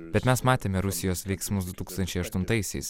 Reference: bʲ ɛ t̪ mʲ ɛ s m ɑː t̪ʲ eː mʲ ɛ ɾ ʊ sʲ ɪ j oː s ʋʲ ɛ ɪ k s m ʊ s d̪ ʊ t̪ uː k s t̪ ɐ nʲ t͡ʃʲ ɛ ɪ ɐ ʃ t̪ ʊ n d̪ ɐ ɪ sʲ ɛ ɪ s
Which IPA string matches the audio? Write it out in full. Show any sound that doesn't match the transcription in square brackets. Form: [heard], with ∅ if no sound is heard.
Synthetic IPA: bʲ ɛ t̪ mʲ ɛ s m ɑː t̪ʲ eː mʲ ɛ ɾ ʊ sʲ ɪ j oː s ʋʲ ɛ ɪ k s m ʊ s d̪ ʊ t̪ uː k s t̪ ɐ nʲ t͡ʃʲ ɛ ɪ ɐ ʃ t̪ ʊ n [t̪] ɐ ɪ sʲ ɛ ɪ s